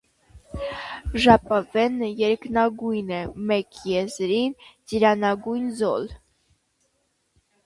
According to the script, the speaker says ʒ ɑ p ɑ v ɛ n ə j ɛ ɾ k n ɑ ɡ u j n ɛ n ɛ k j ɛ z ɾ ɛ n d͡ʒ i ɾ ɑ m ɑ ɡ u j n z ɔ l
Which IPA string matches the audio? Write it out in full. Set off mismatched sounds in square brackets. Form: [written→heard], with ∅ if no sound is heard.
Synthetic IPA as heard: ʒ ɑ p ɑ v ɛ n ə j ɛ ɾ k n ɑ ɡ u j n ɛ [n→m] ɛ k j ɛ z ɾ [ɛ→i] n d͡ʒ i ɾ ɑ [m→n] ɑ ɡ u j n z ɔ l

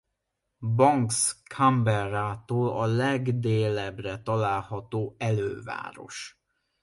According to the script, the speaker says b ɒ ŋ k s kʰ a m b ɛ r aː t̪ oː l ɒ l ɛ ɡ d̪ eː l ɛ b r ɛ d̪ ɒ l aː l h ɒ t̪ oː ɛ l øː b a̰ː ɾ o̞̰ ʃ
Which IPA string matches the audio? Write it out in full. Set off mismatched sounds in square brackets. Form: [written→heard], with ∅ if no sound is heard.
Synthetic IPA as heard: b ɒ ŋ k s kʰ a m b ɛ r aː t̪ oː l ɒ l ɛ ɡ d̪ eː l ɛ b r ɛ [d̪→t̪] ɒ l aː l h ɒ t̪ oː ɛ l øː [b→v] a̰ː ɾ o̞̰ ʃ

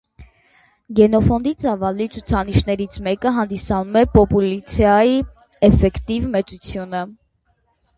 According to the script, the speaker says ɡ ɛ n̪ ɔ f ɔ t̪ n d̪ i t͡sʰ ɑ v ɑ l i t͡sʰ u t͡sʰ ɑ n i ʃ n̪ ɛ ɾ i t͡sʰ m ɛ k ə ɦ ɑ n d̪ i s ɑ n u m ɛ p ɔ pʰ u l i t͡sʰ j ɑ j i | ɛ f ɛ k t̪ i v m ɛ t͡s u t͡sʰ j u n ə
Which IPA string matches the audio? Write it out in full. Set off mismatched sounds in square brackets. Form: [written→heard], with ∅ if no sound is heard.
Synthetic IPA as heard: ɡ ɛ n̪ ɔ f ɔ [t̪→∅] n d̪ i [t͡sʰ→t͡s] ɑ v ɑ l i t͡sʰ u t͡sʰ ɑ n i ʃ n̪ ɛ ɾ i t͡sʰ m ɛ k ə ɦ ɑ n d̪ i s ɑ n u m ɛ p ɔ [pʰ→p] u l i t͡sʰ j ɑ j i | ɛ f ɛ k t̪ i v m ɛ t͡s u t͡sʰ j u n ə

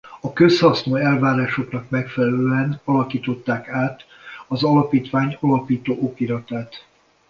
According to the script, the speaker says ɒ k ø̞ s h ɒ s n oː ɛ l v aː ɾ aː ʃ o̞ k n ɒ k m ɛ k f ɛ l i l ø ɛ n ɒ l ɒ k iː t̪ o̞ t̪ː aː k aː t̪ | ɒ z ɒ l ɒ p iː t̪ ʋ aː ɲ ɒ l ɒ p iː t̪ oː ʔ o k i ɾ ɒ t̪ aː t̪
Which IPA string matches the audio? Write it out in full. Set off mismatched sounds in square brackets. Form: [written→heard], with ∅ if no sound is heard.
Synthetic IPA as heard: ɒ k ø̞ s h ɒ s n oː ɛ l v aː ɾ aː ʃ o̞ k n ɒ k m ɛ k f ɛ l [i→ɛ] l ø ɛ n ɒ l ɒ k iː t̪ o̞ t̪ː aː k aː t̪ | ɒ z ɒ l ɒ p iː t̪ ʋ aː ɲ ɒ l ɒ p iː t̪ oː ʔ o k i ɾ ɒ t̪ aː t̪

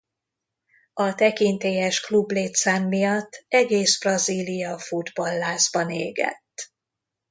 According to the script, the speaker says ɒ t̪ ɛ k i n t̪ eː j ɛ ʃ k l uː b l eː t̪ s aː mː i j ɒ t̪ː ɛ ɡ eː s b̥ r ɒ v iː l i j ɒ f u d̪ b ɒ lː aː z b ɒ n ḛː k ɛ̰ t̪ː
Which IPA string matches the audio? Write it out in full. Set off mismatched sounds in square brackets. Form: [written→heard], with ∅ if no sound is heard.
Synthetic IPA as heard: ɒ t̪ ɛ k i n t̪ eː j ɛ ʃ k l [uː→u] b l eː t̪ s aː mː i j ɒ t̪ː ɛ ɡ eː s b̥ r ɒ [v→z] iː l i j ɒ f u d̪ b ɒ lː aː z b ɒ n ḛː [k→ɡ] ɛ̰ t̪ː

